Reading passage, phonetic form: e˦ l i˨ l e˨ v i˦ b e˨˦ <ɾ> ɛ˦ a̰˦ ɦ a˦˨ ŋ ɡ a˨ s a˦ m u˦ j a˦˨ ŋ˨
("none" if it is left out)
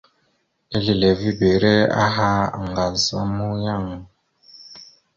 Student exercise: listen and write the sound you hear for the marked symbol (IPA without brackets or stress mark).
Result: ɾ